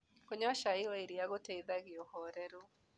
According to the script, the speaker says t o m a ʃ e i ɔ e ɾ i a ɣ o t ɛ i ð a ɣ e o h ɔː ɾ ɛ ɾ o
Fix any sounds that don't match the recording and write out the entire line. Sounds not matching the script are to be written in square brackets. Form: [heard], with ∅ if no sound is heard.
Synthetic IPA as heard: [k] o [ɲ] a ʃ [a] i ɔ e ɾ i a ɣ o t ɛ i ð a ɣ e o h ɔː ɾ ɛ ɾ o